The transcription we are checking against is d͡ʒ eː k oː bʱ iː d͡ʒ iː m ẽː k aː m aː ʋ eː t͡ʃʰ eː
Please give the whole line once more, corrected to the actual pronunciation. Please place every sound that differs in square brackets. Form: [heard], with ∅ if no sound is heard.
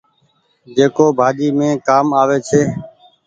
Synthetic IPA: d͡ʒ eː k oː bʱ [aː] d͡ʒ iː m ẽː k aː m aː ʋ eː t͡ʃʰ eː